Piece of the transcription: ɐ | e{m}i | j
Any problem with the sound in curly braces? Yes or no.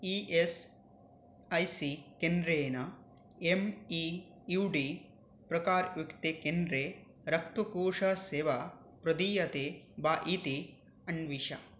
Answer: no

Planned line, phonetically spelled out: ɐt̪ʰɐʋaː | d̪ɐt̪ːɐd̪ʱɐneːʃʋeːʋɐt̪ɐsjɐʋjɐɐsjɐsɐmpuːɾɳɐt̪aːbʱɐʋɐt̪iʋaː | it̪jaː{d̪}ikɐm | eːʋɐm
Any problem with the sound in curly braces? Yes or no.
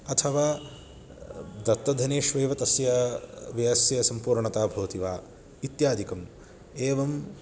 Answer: no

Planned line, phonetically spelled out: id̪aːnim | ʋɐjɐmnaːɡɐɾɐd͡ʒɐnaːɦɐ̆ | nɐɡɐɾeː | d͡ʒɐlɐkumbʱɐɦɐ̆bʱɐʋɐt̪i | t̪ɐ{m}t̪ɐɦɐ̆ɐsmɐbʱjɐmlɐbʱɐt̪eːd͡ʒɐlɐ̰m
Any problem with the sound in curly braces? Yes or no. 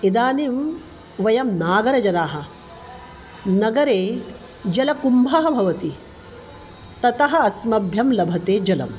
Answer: yes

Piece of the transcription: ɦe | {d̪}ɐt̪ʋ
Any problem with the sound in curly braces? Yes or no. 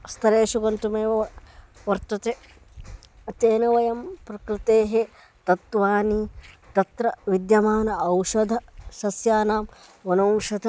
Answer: yes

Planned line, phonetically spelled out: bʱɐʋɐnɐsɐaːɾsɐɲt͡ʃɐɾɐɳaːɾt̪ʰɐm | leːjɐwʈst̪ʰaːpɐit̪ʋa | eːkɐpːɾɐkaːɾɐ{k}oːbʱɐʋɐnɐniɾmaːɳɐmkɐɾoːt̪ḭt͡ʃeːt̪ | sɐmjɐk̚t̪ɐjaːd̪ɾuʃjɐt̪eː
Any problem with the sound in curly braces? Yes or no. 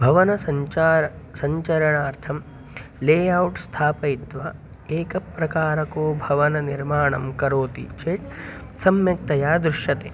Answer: no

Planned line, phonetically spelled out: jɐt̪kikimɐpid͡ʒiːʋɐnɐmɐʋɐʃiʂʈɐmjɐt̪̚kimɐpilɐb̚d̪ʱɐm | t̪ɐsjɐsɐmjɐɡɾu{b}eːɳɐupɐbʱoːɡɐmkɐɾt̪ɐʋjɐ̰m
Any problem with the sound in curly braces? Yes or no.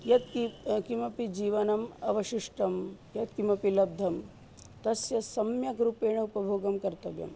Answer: yes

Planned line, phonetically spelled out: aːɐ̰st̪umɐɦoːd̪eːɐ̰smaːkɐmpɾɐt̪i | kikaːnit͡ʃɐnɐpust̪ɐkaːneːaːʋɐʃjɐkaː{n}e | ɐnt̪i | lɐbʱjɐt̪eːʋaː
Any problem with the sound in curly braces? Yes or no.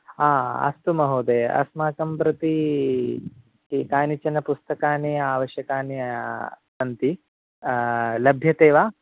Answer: no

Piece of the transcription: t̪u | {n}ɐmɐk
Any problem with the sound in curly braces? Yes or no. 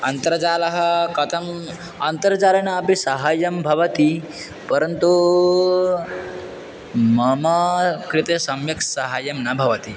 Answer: yes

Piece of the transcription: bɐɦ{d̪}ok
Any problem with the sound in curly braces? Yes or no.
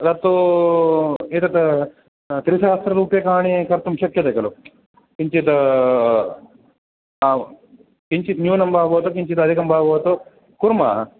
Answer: yes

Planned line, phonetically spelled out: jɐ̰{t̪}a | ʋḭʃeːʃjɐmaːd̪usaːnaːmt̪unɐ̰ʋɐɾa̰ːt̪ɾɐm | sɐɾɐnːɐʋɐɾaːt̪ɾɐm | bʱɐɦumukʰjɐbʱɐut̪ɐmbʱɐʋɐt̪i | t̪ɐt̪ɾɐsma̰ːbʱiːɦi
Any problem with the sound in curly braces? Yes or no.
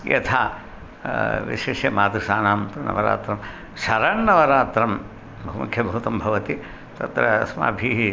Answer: yes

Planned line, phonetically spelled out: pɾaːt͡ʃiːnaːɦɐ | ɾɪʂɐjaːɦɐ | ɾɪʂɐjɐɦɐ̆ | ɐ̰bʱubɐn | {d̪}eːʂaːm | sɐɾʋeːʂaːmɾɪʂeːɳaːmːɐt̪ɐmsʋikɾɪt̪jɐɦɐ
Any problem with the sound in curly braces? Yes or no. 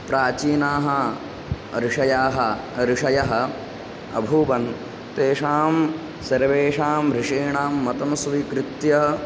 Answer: yes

